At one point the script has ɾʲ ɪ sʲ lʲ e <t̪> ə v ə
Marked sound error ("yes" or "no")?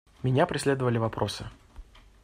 yes